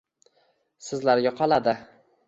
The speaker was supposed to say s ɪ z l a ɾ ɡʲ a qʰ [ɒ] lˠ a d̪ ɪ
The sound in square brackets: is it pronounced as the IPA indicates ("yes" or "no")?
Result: yes